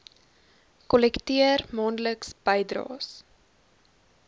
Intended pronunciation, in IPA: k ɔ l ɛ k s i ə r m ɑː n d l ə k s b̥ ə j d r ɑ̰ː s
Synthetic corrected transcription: k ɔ l ɛ k t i ə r m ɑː n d l ə k s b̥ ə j d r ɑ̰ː s